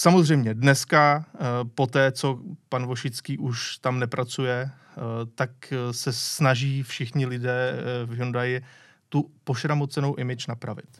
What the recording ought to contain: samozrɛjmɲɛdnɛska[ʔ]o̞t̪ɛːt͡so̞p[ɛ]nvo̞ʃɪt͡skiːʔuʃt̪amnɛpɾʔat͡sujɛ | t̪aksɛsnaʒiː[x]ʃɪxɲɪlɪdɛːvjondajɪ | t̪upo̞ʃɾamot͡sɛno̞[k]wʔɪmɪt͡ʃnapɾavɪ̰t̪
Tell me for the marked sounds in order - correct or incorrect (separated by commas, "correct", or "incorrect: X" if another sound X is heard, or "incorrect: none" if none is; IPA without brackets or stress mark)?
incorrect: p, incorrect: a, incorrect: f, incorrect: none